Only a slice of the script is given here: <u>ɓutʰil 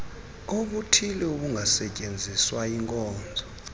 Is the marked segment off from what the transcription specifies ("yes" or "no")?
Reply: yes